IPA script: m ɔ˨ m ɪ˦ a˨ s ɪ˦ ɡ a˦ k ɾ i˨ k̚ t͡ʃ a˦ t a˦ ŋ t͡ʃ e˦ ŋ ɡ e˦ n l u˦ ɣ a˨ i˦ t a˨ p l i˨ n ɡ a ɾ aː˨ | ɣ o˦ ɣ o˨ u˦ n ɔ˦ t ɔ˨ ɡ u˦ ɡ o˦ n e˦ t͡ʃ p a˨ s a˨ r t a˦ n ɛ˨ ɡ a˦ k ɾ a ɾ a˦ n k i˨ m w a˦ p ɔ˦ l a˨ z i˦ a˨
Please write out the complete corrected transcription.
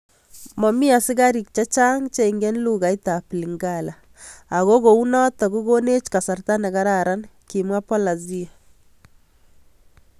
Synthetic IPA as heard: m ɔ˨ m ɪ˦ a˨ s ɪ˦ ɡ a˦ ɾ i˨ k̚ t͡ʃ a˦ t͡ʃ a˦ ŋ t͡ʃ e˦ ŋ ɡ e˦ n l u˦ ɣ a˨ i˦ t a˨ p l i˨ ŋ ɡ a l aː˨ | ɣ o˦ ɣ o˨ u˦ n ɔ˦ t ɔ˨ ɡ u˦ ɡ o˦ n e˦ t͡ʃ k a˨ s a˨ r t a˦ n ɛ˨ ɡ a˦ ɾ a ɾ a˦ n k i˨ m w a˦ p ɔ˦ l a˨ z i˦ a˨